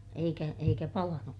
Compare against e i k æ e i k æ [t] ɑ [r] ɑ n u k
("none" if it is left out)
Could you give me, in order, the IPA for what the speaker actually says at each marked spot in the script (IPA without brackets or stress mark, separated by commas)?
p, l